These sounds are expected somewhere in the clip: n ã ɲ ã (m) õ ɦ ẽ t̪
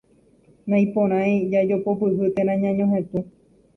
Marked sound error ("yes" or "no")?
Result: yes